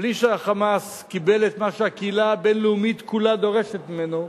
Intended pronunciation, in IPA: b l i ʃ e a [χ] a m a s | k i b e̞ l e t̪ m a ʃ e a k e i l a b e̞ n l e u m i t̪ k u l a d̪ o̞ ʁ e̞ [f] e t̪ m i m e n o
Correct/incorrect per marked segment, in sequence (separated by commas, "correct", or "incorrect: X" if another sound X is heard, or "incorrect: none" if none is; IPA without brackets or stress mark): correct, incorrect: ʃ